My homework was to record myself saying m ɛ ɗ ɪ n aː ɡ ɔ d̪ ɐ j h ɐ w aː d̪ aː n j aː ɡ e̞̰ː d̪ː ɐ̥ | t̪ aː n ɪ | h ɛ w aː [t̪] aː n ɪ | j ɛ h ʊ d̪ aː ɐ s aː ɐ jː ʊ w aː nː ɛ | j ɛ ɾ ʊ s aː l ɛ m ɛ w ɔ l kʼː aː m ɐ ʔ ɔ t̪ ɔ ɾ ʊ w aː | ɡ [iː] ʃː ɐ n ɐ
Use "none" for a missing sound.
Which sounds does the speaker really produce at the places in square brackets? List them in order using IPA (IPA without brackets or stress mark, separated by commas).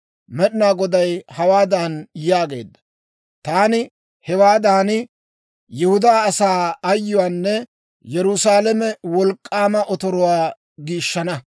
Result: d̪, iː